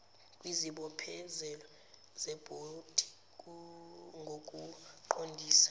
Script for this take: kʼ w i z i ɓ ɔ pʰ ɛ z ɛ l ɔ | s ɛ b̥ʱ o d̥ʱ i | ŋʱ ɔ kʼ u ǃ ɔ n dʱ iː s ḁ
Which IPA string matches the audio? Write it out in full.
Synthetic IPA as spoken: kʼ w i z i ɓ ɔ pʰ ɛ z ɛ l ɔ | z ɛ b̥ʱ o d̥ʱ i | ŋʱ o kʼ u ǃ o n dʱ iː s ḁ